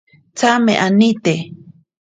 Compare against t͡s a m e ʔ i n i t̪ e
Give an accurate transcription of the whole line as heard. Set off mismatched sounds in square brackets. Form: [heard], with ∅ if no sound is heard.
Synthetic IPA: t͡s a m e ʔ [a] n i t̪ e